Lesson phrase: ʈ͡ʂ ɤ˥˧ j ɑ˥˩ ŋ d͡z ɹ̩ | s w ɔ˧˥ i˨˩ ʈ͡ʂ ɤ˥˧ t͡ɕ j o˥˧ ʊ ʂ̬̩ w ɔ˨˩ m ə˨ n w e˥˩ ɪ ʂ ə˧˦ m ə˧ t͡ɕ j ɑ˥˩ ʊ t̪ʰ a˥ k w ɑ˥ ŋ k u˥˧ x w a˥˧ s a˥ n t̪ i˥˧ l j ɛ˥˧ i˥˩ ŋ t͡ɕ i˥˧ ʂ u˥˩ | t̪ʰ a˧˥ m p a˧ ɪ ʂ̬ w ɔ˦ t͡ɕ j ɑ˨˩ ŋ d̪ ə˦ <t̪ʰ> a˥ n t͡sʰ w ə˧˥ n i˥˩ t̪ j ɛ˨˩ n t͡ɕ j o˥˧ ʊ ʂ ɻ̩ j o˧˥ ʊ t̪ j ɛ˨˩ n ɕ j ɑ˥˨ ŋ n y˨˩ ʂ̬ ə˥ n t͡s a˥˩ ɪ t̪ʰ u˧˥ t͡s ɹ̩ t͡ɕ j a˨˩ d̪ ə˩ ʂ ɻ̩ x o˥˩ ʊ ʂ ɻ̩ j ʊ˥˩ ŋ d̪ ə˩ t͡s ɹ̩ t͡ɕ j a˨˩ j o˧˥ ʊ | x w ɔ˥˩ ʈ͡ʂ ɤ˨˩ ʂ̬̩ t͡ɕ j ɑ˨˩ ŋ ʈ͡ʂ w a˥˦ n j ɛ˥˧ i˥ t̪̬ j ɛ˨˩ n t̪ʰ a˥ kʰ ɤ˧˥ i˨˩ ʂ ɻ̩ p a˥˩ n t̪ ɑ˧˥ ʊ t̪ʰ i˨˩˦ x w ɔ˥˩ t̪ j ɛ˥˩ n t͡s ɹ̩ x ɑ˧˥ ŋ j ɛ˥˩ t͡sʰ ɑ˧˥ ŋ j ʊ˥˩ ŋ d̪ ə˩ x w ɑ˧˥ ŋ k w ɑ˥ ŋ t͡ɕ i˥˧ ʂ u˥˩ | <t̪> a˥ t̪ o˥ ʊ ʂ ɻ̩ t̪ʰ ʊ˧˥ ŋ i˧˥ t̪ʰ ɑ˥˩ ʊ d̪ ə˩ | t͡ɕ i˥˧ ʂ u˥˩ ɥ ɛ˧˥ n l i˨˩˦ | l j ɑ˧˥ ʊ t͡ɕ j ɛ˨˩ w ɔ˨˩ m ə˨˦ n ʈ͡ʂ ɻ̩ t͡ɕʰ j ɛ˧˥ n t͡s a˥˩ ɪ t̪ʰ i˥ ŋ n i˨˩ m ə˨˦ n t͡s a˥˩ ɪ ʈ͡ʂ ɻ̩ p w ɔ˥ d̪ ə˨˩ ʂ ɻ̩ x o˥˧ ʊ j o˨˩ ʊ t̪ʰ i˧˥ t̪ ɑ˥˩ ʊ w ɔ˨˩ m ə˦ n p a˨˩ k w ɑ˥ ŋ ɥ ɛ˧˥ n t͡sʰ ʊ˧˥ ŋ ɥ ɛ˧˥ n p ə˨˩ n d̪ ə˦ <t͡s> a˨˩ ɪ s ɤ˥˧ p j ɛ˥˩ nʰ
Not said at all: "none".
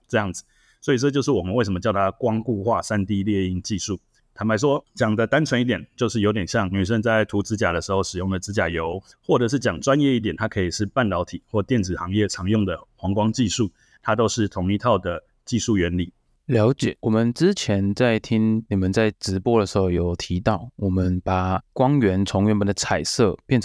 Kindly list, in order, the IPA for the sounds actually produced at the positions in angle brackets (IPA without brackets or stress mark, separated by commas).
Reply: t̪, t̪ʰ, t͡sʰ